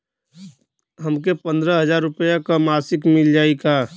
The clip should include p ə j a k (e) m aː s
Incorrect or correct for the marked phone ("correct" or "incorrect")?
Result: incorrect